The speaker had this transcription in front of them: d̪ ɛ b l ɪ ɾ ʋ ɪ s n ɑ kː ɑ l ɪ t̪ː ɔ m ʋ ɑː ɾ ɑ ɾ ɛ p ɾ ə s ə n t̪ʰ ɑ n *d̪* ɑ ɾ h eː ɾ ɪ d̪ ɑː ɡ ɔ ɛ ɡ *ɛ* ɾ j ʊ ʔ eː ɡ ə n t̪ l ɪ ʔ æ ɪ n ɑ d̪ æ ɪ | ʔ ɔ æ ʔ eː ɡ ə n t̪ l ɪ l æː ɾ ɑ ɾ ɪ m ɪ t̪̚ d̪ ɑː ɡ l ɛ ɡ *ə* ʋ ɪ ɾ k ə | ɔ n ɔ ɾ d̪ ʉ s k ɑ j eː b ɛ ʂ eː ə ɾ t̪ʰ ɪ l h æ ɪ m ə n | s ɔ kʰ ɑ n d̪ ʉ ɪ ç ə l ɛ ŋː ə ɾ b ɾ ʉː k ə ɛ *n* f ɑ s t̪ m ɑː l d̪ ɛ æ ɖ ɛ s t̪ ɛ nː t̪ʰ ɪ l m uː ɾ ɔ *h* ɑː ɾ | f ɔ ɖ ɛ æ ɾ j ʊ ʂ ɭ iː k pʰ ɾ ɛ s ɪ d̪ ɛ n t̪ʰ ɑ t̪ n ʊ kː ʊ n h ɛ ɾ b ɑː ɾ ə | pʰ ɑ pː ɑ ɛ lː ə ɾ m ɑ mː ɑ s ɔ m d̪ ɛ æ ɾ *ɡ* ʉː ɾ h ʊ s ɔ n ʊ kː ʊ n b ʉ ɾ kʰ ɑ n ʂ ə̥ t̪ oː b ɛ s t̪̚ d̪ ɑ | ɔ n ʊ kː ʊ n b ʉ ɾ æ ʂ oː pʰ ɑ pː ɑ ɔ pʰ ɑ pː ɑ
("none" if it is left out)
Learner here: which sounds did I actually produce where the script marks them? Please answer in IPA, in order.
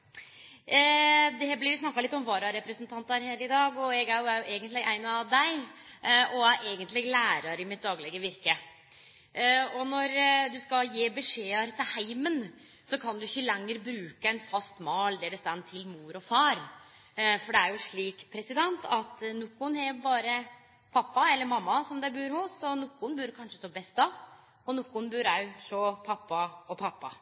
t̪, æ, ə, n, f, b

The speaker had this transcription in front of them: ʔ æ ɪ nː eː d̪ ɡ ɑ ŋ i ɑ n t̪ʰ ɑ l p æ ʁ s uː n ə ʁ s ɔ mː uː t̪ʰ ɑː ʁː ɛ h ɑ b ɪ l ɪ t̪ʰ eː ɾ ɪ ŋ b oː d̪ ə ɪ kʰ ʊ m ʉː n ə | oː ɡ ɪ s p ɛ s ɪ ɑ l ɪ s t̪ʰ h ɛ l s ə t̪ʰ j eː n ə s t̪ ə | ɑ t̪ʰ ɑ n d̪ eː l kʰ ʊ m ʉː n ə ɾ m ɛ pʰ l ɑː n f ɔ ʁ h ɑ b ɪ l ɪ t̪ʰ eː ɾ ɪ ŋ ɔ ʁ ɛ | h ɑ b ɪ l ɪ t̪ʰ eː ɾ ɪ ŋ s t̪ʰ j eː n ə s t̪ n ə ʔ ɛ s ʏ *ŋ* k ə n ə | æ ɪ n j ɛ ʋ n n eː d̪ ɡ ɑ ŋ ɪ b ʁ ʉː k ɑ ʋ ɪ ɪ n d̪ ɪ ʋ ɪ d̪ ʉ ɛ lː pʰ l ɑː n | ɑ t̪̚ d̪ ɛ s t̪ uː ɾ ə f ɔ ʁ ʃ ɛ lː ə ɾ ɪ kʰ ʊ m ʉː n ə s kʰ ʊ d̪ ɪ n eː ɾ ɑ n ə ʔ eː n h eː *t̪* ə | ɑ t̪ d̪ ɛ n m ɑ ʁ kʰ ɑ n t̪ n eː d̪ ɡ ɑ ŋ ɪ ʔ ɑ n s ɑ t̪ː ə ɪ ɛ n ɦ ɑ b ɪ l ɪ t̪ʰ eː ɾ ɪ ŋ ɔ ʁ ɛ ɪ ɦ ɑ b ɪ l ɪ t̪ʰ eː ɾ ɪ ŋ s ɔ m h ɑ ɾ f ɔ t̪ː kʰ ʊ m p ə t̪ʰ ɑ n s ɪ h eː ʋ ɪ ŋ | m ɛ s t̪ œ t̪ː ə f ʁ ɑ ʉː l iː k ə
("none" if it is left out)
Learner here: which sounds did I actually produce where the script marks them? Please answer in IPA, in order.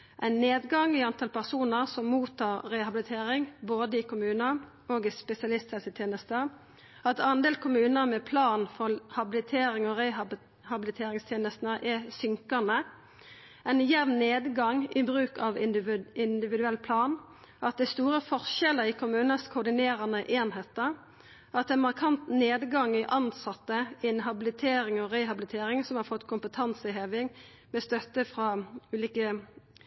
ŋ, t̪

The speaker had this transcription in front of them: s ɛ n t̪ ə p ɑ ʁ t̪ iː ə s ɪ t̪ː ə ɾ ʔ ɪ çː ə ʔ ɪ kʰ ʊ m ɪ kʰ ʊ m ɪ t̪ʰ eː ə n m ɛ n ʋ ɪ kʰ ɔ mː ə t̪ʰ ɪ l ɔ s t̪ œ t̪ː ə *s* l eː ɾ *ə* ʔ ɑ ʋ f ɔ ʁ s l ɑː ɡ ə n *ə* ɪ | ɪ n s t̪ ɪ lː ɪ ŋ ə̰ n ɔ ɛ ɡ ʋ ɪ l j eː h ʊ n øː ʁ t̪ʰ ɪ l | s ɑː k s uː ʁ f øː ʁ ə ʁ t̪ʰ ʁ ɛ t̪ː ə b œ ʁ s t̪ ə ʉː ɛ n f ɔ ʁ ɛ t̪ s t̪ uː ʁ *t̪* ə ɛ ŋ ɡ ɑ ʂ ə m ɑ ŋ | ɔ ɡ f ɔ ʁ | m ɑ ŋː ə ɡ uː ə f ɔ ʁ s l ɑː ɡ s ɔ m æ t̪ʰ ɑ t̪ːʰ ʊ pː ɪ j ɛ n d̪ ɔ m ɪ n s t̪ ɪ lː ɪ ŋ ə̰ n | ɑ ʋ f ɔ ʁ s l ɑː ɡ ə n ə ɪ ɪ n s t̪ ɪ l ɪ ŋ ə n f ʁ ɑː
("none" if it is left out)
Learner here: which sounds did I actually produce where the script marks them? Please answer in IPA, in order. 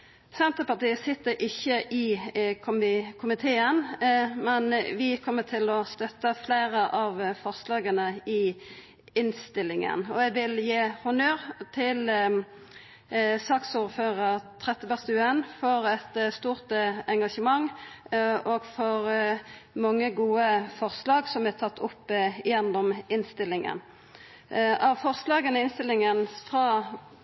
f, ə, ə, t̪

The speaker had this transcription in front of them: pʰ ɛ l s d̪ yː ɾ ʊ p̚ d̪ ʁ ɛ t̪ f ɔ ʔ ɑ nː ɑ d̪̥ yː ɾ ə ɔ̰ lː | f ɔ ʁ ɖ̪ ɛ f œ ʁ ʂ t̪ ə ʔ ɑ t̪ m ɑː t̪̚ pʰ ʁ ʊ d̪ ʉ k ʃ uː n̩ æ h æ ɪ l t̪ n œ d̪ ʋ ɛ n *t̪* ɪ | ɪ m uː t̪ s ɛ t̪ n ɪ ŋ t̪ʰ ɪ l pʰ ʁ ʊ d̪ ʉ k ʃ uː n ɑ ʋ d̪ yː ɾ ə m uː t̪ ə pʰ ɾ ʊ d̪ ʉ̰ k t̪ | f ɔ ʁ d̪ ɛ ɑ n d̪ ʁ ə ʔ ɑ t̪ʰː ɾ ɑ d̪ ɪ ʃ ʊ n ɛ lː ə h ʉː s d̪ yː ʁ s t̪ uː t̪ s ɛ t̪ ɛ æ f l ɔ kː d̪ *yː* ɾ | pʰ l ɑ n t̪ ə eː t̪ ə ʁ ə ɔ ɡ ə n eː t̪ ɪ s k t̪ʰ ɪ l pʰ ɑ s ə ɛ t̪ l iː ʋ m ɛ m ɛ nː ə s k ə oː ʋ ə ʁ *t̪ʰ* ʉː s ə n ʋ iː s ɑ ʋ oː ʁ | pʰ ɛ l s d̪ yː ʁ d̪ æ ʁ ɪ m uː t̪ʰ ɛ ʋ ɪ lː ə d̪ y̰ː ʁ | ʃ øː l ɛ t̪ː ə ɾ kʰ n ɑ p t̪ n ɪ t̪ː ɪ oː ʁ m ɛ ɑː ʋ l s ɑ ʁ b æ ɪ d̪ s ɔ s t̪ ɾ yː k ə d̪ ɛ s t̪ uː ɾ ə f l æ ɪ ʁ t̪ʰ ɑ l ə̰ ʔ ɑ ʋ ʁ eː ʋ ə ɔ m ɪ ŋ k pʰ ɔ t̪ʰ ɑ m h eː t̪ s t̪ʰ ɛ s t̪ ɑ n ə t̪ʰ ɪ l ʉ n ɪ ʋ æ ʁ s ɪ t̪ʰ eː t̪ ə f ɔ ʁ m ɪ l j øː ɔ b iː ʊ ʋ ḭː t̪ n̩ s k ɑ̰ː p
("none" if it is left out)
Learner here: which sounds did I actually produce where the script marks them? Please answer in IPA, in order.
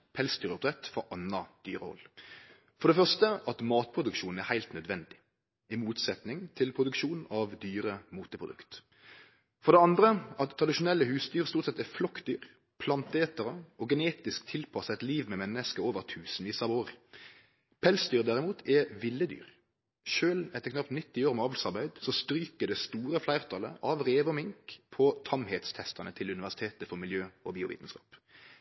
d̪, yː, t̪ʰ

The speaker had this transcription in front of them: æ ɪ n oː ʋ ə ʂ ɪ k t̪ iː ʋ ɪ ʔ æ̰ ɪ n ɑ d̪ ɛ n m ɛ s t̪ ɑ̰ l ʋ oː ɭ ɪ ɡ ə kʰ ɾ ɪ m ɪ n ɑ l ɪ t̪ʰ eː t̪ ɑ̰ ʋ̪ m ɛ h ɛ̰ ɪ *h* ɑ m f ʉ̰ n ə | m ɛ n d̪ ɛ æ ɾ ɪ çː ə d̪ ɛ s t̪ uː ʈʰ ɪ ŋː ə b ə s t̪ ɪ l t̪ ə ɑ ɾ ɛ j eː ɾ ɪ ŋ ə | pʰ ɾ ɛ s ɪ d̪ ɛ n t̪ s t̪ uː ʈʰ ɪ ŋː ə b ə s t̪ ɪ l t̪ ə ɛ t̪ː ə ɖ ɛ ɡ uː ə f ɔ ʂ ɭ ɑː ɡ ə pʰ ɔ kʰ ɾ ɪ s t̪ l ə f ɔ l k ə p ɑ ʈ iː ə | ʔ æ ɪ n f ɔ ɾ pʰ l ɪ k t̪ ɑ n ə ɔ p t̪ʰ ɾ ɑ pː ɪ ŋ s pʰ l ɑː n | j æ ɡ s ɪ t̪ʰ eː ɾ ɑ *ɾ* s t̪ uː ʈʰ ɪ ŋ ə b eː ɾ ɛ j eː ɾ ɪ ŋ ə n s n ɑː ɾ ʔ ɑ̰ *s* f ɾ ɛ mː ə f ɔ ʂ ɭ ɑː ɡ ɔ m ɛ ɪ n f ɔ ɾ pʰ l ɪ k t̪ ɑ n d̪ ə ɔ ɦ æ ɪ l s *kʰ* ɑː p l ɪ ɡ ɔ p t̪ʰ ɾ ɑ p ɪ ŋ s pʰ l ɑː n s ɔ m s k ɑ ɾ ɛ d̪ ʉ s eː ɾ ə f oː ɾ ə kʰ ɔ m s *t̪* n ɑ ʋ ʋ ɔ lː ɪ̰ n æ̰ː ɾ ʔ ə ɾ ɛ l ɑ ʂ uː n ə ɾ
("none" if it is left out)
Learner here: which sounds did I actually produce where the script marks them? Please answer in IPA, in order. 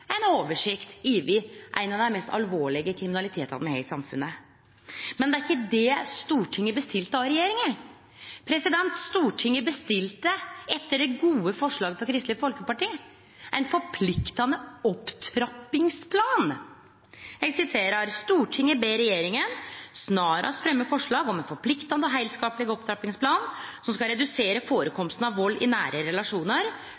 s, ɾ, s, k, t̪

